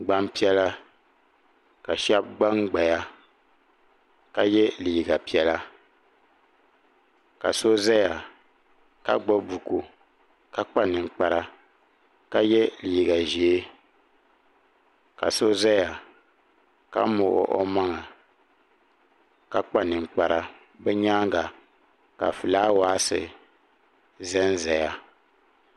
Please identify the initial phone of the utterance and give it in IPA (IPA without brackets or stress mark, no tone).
ɡ͡b